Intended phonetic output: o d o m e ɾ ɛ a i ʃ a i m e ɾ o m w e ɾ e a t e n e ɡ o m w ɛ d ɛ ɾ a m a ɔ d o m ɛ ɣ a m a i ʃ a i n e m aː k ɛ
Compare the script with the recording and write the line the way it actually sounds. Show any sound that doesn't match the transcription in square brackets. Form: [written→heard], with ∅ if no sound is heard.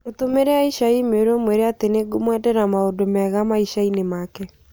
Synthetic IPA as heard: o [d→t] o m e ɾ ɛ a i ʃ a i m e ɾ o m w e ɾ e a t e n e ɡ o m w ɛ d ɛ ɾ a m a [ɔ→o] d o m ɛ ɣ a m a i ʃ a i n e m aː k ɛ